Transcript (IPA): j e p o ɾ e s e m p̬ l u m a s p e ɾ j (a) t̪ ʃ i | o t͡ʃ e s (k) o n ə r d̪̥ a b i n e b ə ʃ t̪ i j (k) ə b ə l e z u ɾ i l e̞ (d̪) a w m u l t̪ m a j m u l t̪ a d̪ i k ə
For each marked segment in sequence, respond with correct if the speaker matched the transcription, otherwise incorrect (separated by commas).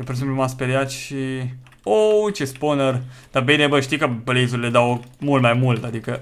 correct, incorrect, correct, correct